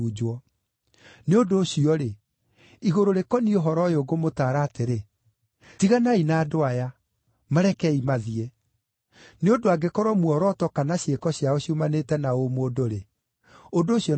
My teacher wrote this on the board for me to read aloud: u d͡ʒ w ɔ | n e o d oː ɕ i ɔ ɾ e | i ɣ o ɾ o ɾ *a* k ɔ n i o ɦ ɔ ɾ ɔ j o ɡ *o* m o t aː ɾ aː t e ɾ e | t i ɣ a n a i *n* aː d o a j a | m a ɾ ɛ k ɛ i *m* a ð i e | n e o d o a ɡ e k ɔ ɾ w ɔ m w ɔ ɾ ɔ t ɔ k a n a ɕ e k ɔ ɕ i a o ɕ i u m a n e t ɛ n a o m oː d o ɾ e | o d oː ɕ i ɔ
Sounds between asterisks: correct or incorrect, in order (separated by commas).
incorrect, correct, correct, correct